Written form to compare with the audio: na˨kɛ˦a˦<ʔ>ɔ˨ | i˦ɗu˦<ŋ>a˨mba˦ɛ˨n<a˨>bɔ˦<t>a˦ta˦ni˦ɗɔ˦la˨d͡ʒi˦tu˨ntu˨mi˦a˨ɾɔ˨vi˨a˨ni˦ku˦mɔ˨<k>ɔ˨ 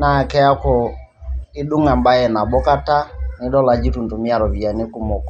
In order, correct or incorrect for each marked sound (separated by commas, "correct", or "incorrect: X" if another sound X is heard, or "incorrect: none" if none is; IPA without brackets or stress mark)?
incorrect: k, correct, correct, incorrect: k, correct